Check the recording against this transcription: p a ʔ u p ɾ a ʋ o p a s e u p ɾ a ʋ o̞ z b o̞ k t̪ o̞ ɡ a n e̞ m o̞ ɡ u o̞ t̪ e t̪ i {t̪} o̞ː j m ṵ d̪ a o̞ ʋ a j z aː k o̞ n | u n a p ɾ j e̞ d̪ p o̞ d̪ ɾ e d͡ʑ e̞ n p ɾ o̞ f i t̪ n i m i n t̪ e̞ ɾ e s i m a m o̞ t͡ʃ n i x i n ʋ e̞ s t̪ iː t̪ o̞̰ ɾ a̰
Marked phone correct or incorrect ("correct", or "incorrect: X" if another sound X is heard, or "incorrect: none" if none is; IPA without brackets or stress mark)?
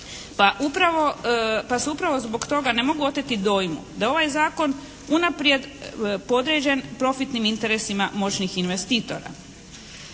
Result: incorrect: d̪